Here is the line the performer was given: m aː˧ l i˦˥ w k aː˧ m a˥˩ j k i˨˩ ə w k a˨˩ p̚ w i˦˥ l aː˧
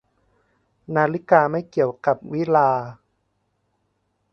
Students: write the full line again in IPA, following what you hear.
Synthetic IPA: n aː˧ l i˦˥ k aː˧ m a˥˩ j k i˨˩ ə w k a˨˩ p̚ w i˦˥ l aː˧